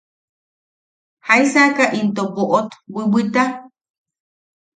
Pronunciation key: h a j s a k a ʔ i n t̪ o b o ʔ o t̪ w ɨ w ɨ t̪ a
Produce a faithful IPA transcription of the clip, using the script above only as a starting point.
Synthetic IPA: h a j s a k a ʔ i n t̪ o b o ʔ o t̪ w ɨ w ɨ t̪ a